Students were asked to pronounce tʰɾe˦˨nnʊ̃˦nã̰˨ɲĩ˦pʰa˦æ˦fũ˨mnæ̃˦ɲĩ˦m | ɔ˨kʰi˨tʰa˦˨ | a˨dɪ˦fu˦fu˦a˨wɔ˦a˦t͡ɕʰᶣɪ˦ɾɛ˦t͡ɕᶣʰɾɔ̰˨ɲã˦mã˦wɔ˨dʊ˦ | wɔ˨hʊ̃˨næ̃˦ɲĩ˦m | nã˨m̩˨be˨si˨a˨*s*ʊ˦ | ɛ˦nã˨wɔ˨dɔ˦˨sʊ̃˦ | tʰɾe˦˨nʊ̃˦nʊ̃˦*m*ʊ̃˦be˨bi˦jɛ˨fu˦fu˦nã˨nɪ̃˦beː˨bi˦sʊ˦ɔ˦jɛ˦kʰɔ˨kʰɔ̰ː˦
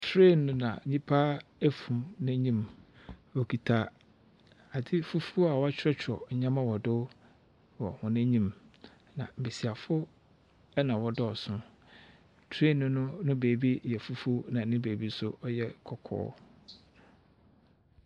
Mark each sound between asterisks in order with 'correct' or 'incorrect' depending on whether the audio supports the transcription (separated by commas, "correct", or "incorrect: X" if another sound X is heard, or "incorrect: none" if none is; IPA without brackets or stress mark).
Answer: incorrect: f, incorrect: n